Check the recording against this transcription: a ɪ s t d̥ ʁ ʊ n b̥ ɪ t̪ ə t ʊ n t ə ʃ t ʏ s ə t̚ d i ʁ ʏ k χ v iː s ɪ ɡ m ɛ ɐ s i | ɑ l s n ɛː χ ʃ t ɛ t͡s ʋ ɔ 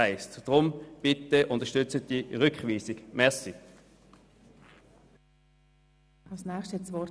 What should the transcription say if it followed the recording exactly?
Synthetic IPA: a ɪ s t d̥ ʁ ʊ m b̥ ɪ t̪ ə ʔ ʊ n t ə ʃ t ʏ t͡s ə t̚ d i ʁ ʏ k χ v iː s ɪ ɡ m ɛ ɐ s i | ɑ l s n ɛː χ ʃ t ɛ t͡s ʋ ɔ